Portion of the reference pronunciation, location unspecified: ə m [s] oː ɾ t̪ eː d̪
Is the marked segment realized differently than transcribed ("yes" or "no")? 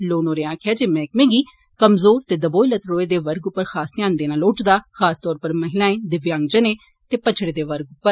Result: yes